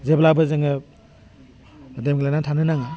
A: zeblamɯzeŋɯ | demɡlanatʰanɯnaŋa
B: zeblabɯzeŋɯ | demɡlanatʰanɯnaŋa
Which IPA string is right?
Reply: B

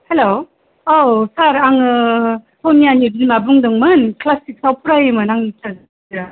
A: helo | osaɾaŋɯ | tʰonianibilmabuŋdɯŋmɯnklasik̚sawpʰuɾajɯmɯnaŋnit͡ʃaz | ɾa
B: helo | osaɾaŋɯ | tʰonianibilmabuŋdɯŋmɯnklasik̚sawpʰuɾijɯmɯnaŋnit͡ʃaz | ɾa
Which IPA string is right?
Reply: A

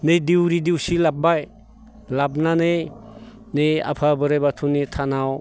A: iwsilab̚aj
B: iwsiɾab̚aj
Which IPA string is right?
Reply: A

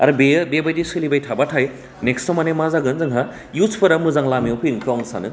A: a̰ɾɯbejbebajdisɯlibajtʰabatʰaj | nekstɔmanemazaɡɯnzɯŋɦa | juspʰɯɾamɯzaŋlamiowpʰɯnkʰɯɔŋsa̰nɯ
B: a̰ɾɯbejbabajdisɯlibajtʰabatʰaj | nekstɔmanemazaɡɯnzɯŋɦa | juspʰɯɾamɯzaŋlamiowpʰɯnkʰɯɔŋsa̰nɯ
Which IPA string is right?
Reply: A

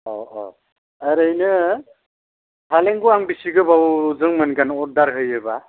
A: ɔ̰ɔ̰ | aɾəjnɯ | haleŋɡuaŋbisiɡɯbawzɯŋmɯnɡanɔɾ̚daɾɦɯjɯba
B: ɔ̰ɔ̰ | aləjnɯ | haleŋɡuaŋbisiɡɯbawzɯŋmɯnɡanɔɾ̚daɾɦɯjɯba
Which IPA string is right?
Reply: A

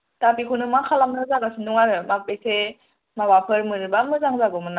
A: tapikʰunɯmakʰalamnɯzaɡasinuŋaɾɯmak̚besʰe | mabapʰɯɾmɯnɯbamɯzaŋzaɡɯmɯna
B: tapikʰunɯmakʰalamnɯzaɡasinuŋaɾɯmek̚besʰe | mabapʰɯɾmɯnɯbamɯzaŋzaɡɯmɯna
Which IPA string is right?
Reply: A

